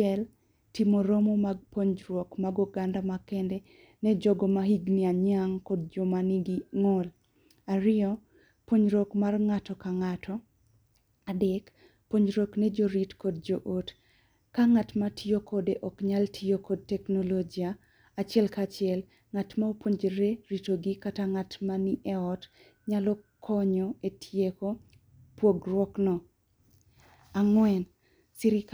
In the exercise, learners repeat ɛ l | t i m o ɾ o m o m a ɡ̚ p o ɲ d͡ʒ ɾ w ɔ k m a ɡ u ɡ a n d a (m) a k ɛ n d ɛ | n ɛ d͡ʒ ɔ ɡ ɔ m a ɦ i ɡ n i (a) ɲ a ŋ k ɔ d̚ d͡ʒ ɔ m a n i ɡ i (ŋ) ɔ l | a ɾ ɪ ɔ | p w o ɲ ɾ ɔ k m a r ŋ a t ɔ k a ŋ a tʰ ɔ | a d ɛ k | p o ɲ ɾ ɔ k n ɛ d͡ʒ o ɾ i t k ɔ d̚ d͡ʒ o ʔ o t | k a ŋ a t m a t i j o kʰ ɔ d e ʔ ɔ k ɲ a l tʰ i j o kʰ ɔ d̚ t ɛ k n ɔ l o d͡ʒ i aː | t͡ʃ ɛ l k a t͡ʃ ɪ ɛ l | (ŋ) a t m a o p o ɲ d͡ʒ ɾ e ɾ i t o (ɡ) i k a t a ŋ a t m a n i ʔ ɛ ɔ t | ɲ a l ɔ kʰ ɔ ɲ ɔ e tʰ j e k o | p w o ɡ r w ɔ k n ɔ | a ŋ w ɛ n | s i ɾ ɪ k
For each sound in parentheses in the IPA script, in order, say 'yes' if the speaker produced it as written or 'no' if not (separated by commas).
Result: yes, yes, yes, yes, yes